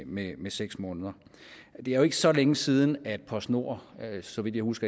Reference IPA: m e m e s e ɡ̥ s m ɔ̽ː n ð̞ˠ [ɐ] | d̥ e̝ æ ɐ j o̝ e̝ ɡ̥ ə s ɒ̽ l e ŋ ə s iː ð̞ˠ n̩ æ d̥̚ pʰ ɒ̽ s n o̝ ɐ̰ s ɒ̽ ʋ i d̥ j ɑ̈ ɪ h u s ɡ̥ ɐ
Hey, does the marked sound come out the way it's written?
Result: yes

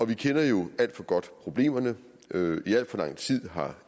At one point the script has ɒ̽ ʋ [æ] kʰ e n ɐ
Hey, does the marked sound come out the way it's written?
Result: no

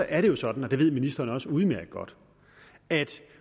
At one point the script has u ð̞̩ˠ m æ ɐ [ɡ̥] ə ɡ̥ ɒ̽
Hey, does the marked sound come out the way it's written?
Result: yes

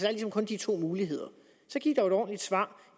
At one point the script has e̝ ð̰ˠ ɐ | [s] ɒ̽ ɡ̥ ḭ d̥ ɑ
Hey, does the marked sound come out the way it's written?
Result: yes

